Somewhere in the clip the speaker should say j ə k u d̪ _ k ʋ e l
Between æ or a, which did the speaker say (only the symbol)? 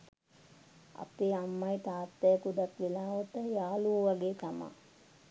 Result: a